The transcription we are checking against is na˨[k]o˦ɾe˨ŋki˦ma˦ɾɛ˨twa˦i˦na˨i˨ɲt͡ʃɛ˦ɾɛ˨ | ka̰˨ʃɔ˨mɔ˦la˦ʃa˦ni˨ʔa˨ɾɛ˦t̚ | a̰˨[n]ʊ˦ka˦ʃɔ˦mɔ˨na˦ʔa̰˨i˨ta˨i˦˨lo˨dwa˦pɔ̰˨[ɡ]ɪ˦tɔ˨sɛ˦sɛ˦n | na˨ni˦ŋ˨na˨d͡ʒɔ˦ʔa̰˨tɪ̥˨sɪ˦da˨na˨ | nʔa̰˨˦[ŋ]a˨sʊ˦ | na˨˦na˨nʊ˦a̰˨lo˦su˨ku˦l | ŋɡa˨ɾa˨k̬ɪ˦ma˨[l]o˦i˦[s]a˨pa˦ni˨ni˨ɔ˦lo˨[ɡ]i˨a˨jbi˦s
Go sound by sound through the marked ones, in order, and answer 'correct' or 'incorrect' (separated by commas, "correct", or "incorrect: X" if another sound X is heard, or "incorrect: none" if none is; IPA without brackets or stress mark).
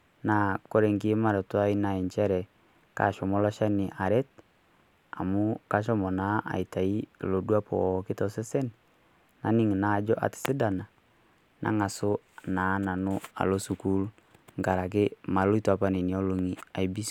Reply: correct, incorrect: m, incorrect: k, correct, correct, incorrect: t, incorrect: ŋ